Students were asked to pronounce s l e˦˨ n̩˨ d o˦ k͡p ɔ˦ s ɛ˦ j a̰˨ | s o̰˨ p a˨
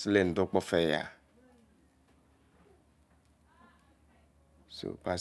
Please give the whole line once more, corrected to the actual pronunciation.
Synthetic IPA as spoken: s l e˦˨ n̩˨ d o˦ k͡p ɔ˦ f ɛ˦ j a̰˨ | s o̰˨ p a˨